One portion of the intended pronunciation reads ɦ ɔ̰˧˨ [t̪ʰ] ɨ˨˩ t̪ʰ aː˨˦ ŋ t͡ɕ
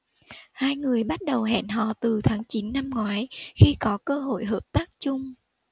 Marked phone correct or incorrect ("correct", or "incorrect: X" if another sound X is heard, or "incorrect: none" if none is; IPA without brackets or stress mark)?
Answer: incorrect: t̪